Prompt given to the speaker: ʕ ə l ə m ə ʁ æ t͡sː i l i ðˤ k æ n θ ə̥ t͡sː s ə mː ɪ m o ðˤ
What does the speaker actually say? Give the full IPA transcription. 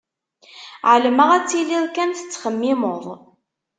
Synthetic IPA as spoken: ʕ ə l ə m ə ʁ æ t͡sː i l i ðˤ k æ n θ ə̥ t͡sː χ ə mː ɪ m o ðˤ

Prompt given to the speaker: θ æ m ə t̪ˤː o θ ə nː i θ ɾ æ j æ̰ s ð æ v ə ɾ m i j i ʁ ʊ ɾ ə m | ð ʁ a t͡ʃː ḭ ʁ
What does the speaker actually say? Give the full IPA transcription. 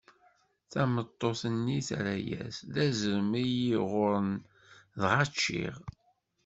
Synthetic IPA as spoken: θ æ m ə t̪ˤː o θ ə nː i θ ɾ æ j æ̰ s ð æ z ə ɾ m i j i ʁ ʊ ɾ ə n | ð ʁ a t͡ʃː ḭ ʁ

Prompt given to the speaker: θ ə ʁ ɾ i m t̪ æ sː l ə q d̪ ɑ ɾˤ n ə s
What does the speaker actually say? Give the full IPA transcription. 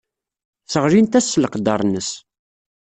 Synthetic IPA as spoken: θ ə ʁ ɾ i n t̪ æ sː l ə q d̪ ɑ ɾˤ n ə s

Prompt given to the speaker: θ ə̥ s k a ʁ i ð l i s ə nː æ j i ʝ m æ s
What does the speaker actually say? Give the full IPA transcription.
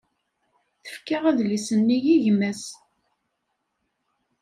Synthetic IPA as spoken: θ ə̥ f k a ʁ æ ð l i s ə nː i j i ʝ m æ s

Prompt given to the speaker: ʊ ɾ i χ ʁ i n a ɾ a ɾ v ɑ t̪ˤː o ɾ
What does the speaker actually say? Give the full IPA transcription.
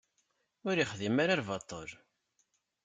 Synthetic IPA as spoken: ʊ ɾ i χ ð i m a ɾ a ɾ v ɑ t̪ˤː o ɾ

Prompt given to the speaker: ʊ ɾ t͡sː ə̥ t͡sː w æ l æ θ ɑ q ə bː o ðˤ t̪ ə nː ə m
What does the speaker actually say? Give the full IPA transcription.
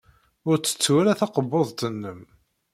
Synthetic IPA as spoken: ʊ ɾ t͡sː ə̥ t͡sː w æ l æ θ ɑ q ə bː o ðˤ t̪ ə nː ə m

